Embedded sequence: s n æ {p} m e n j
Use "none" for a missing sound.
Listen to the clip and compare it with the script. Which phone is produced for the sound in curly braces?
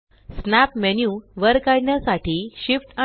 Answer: p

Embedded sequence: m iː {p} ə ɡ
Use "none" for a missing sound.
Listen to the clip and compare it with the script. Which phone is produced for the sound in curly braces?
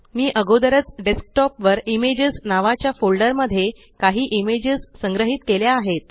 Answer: ʔ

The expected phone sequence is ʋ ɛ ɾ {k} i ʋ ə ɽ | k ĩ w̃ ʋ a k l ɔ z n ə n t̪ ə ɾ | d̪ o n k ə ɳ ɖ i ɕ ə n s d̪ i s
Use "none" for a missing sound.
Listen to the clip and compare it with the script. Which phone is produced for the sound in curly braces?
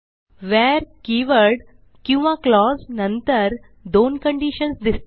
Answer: k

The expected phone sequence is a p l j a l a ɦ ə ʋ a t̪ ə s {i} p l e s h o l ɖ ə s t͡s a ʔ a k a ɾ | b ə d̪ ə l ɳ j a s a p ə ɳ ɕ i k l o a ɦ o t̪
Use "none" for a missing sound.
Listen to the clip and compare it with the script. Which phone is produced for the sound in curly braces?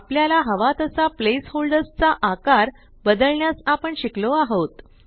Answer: a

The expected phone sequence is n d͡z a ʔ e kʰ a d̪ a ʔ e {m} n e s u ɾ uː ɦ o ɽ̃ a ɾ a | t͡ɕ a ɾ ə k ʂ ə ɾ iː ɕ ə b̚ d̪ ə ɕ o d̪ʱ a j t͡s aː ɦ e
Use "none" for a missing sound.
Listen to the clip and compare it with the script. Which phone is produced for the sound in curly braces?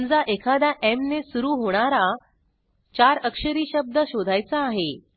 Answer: m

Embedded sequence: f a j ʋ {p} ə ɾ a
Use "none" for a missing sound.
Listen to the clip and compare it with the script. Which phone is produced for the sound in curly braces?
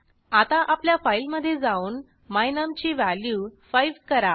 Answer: k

